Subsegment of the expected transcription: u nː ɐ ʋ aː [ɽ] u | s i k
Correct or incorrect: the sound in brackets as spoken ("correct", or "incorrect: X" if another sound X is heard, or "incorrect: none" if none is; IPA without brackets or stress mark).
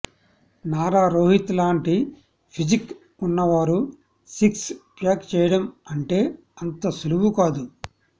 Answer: incorrect: ɾ